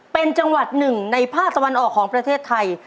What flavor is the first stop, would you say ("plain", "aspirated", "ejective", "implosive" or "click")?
plain